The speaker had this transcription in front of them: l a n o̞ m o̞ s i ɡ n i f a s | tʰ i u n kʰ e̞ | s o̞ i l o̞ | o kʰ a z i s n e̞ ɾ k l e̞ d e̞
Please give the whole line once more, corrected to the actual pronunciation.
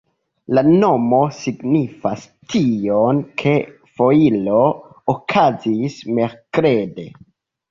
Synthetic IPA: l a n o̞ m o̞ s i ɡ n i f a s | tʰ i o n kʰ e̞ | f o̞ i l o̞ | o kʰ a z i s m e̞ ɾ k ɾ e̞ d e̞